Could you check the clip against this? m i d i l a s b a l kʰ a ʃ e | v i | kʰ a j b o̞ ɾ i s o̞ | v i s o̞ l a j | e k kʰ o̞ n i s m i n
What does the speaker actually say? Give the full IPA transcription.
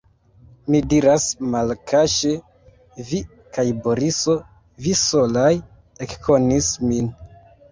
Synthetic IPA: m i d i ɾ a s m a l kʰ a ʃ e | v i | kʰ a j b o̞ ɾ i s o̞ | v i s o̞ l a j | e k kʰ o̞ n i s m i n